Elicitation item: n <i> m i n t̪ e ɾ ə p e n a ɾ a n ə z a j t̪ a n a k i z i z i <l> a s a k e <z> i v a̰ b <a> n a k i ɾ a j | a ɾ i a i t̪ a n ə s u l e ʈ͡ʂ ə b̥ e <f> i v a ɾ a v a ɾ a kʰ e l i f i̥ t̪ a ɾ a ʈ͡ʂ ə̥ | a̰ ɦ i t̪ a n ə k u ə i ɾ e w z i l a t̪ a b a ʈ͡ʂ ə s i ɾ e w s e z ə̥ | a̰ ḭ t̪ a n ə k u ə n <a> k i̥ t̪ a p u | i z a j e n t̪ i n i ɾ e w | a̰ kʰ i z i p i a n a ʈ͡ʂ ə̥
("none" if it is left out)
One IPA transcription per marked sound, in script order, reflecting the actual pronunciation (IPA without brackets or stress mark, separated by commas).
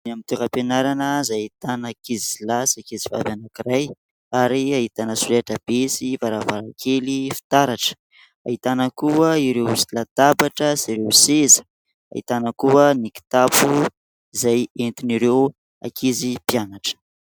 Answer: a, l, z, a, s, i